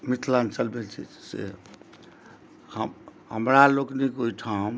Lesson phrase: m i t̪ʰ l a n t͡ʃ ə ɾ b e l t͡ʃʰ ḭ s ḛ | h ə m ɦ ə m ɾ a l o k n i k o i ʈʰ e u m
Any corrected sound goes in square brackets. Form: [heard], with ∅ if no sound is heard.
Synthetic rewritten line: m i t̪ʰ l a n t͡ʃ ə [l] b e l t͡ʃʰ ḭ s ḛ | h ə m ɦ ə m ɾ a l o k n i k o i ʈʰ [a] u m